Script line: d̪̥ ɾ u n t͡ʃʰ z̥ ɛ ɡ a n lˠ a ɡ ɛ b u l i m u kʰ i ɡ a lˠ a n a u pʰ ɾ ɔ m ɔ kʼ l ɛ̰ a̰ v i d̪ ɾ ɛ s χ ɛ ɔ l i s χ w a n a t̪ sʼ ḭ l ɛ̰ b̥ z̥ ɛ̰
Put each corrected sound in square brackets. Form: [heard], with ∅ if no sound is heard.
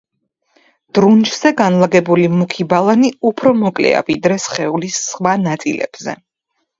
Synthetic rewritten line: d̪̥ ɾ u n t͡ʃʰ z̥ ɛ ɡ a n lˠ a ɡ ɛ b u l i m u kʰ i [b] a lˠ a n [i] u pʰ ɾ ɔ m ɔ kʼ l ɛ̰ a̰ v i d̪ ɾ ɛ s χ ɛ [u] l i s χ w a n a t̪ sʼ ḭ l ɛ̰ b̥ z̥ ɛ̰